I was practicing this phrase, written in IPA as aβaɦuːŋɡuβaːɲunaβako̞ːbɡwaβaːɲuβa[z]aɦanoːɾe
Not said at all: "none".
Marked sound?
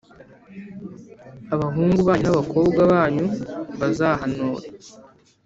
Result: z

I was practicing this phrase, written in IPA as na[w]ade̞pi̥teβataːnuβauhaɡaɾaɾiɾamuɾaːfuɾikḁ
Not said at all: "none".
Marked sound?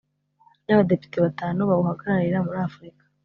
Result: β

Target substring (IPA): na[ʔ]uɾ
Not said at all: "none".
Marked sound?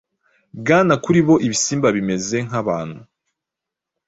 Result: k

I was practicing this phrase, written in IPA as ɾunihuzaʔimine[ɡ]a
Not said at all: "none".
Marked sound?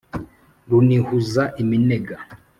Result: ɡ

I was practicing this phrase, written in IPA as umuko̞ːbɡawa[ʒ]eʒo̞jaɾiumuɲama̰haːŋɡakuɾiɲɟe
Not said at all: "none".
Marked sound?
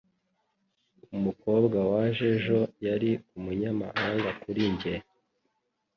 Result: ʒ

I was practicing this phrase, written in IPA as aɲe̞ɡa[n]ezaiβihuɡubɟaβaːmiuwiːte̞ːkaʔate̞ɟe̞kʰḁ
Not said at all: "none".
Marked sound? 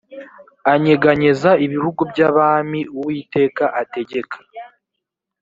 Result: ɲ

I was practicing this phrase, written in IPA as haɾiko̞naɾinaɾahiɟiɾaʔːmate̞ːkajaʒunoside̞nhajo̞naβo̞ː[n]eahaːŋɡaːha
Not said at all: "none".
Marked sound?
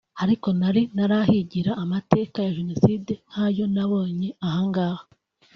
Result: ɲ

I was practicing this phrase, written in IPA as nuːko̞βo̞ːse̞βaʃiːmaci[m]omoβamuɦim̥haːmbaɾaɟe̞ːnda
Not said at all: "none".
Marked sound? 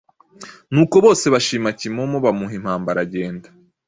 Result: m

